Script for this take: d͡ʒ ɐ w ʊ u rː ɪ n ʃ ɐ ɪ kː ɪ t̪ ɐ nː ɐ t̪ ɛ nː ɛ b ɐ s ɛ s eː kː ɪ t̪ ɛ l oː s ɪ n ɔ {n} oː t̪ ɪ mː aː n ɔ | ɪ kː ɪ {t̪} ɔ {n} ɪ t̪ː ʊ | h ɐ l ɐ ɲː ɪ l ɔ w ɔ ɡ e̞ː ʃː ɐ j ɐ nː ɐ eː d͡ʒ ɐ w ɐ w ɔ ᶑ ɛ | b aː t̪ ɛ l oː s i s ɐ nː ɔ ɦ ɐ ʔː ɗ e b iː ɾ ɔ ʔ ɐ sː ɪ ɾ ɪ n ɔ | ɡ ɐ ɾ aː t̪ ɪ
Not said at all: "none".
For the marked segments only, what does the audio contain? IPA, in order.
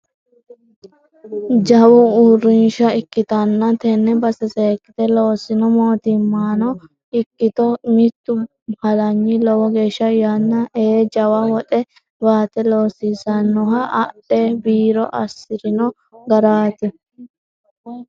m, t̪, m

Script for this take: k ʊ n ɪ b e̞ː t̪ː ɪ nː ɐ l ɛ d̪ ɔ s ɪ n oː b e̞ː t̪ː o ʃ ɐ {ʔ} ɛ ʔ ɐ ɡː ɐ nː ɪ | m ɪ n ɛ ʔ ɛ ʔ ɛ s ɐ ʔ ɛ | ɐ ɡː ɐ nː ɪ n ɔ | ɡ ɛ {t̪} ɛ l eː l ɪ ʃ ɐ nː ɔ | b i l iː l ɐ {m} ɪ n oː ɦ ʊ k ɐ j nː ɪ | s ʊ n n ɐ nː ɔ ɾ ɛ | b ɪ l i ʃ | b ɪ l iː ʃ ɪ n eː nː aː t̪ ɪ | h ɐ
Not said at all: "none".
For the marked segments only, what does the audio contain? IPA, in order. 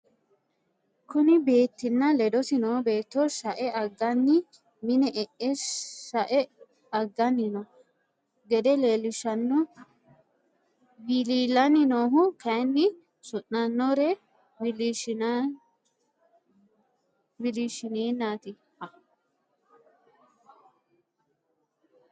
ʔ, d̪, n

